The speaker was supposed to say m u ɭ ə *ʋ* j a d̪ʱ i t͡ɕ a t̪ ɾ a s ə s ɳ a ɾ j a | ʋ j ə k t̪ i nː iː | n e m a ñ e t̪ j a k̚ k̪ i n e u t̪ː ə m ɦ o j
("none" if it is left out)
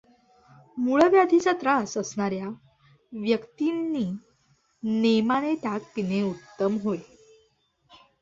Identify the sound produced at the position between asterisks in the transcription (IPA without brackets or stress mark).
ʋ